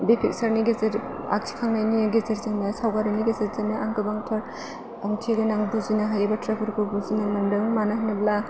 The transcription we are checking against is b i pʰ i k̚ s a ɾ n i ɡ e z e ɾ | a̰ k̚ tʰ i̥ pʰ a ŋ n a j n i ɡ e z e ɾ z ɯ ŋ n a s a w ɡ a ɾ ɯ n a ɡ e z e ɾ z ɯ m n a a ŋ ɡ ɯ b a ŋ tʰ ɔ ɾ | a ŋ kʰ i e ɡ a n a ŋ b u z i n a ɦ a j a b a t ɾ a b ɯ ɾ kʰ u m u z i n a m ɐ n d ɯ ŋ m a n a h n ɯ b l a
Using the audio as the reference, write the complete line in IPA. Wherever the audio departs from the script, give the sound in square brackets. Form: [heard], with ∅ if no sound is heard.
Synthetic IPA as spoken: b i pʰ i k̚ s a ɾ n i ɡ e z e ɾ | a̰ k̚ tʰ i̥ [kʰ] a ŋ n a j n i ɡ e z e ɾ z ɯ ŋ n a s a w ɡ a ɾ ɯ n [i] ɡ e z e ɾ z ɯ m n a a ŋ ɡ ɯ b a ŋ tʰ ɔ ɾ | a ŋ [tʰ] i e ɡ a n a ŋ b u z i n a ɦ a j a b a t ɾ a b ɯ ɾ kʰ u [b] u z i n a m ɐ n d ɯ ŋ m a n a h n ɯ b l a